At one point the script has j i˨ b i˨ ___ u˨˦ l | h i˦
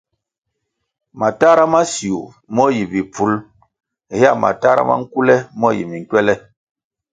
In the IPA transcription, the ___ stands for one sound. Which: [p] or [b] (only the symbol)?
p